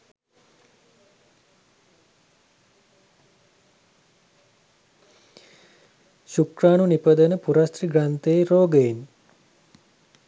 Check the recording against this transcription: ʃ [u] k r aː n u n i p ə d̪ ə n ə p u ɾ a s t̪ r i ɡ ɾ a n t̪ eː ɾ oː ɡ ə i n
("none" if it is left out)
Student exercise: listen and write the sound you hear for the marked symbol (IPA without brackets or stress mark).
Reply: u